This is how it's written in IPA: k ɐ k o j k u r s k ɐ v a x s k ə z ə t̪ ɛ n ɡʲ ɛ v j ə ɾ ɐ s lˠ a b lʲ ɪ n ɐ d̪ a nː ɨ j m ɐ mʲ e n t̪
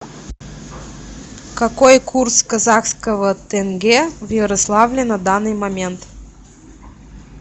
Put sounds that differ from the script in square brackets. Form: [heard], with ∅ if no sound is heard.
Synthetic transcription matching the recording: k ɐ k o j k u r s k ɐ [z] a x s k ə [v] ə t̪ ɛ n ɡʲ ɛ v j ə ɾ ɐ s lˠ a [v] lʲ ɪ n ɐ d̪ a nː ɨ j m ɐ mʲ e n t̪